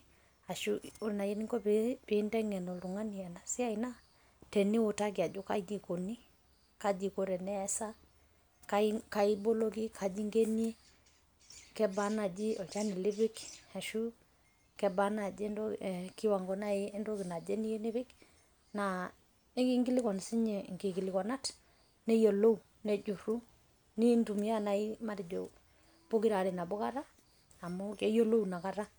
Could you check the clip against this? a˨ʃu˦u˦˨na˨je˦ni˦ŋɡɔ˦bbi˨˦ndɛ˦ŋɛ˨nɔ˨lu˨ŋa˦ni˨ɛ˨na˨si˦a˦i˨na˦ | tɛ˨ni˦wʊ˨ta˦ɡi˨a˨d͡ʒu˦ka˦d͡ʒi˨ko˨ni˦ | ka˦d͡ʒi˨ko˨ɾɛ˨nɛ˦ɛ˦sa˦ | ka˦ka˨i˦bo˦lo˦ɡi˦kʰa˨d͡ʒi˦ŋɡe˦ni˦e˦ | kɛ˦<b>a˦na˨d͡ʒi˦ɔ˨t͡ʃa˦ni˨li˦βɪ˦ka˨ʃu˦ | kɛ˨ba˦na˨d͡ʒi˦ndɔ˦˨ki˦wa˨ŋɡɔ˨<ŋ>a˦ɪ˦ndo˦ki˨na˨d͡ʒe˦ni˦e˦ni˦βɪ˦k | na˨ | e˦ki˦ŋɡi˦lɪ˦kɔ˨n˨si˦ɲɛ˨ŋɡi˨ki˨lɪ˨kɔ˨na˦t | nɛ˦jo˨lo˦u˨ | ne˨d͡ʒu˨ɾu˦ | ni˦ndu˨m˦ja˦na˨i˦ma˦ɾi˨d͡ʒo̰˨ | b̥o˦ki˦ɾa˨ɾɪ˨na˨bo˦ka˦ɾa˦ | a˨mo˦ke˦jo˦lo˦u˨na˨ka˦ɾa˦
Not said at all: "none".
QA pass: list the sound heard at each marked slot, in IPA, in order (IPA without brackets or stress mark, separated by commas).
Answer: b, n